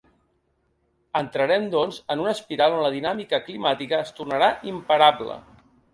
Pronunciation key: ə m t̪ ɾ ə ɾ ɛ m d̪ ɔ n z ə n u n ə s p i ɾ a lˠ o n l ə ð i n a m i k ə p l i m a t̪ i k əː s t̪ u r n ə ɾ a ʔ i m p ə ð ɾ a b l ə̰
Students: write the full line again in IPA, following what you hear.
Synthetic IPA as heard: ə n t̪ ɾ ə ɾ ɛ m d̪ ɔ n z ə n u n ə s p i ɾ a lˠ o n l ə ð i n a m i k ə k l i m a t̪ i k əː s t̪ u r n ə ɾ a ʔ i m p ə ɾ a b l ə̰

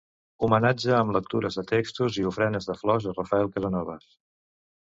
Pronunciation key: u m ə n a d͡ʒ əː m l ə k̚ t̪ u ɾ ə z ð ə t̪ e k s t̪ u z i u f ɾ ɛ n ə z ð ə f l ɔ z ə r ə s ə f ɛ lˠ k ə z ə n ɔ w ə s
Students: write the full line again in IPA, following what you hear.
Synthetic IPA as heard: u m ə n a d͡ʒ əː m l ə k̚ t̪ u ɾ ə z ð ə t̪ e k s t̪ u z i u f ɾ ɛ n ə z ð ə f l ɔ z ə r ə f ə ɛ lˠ k ə z ə n ɔ β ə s

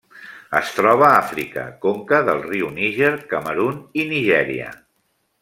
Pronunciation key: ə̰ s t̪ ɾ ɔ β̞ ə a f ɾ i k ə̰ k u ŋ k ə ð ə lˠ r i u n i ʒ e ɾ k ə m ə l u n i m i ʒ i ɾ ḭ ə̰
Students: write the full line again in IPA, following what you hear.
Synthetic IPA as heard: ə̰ s t̪ ɾ ɔ β̞ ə a f ɾ i k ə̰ k o ŋ k ə ð ə lˠ r i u n i ʒ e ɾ k ə m ə ɾ u n i n i ʒ ɛ ɾ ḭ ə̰

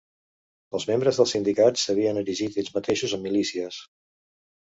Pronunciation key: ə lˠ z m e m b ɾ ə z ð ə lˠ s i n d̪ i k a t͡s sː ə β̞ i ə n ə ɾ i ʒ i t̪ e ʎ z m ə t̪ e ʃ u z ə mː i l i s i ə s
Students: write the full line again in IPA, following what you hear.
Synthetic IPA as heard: ə lˠ z m e m b ɾ ə z ð ə lˠ s i n d̪ i k a t͡s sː ə β̞ i ə n ə ɾ i ʒ i t̪ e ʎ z m ə t̪ e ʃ u z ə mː i l i s i ə s

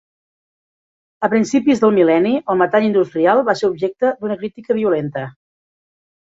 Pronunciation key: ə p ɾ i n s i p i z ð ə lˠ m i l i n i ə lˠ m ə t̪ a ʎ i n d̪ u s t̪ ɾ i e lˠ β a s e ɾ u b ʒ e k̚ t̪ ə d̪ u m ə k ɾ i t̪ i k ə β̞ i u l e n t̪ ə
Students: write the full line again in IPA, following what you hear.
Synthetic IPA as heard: ə p ɾ i n s i p i z ð ə lˠ m i l ɛ n i ə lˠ m ə t̪ a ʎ i n d̪ u s t̪ ɾ i a lˠ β a s e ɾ u b ʒ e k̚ t̪ ə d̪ u n ə k ɾ i t̪ i k ə β̞ i u l e n t̪ ə

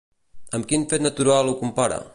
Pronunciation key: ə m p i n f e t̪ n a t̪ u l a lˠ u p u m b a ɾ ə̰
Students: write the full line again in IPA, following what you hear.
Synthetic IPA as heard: ə m k i n f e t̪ n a t̪ u ɾ a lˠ u k u m p a ɾ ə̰

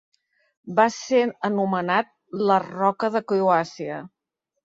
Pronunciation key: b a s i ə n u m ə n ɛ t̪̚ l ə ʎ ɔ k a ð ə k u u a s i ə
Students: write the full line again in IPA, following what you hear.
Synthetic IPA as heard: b a s e ə n u m ə n a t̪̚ l ə r ɔ k ə ð ə k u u a s i ə

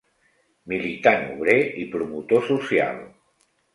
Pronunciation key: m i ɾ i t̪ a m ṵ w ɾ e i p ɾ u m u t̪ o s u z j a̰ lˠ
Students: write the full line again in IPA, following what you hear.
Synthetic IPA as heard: m i l i t̪ a n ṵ β ɾ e i p ɾ u m u t̪ o s u s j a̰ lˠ

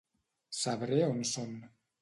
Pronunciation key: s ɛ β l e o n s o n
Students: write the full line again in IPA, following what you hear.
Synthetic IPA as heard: s a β ɾ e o n s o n

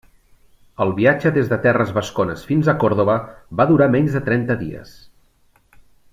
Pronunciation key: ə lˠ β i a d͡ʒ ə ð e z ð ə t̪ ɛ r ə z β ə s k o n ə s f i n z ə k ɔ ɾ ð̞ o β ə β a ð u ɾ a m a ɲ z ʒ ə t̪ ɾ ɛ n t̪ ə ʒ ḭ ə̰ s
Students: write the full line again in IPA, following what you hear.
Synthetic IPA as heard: ə lˠ β i a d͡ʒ ə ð e z ð ə t̪ ɛ r ə z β ə s k o n ə s f i n z ə k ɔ ɾ ð̞ o β ə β a ð u ɾ a m ɛ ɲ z ð ə t̪ ɾ ɛ n t̪ ə ð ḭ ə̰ s

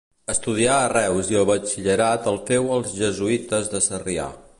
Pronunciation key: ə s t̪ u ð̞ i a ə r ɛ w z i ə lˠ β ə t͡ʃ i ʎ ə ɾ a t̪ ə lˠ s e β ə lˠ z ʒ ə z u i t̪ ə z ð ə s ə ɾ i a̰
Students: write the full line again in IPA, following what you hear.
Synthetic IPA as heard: ə s t̪ u ð̞ i a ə r ɛ w z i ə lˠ β ə t͡ʃ i ʎ ə ɾ a t̪ ə lˠ f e w ə lˠ z ʒ ə z u i t̪ ə z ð ə s ə r i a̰

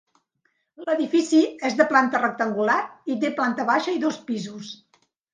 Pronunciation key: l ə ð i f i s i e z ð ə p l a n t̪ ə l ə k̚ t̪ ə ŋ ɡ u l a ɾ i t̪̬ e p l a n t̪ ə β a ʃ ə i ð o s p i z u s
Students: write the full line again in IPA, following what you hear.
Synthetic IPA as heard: l ə ð i f i s i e z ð ə p l a n t̪ ə r ə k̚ t̪ ə ŋ ɡ u l a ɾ i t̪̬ e p l a n t̪ ə β a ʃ ə i ð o s p i z u s

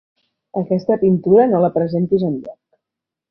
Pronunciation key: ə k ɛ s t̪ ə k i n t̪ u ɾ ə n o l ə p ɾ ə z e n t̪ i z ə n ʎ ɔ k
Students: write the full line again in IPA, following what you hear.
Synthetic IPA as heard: ə k ɛ s t̪ ə p i n t̪ u ɾ ə n o l ə p ɾ ə z e n t̪ i z ə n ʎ ɔ k

